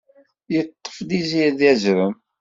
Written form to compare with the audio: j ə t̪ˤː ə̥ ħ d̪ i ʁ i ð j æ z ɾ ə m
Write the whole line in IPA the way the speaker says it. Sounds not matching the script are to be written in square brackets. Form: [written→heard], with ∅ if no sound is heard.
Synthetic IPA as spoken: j ə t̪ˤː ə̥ [ħ→f] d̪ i [ʁ→z] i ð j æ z ɾ ə m

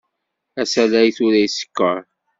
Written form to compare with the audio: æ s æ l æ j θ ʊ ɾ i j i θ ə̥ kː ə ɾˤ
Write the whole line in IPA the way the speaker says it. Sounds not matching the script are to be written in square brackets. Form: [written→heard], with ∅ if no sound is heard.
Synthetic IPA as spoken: æ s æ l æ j θ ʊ ɾ [i→æ] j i [θ→s] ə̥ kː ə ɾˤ

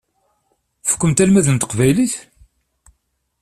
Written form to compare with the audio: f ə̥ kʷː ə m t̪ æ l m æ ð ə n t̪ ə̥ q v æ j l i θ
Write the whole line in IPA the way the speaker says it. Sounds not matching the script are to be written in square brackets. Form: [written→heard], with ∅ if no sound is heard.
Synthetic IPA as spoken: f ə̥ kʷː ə m t̪ æ l m æ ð ə n t̪ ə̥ q v æ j l i θ

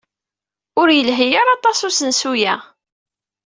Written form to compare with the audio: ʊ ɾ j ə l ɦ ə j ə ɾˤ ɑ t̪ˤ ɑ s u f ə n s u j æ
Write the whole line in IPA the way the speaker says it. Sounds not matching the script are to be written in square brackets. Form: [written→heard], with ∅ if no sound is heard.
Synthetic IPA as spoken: ʊ ɾ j ə l ɦ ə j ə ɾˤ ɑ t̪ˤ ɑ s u [f→s] ə n s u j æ

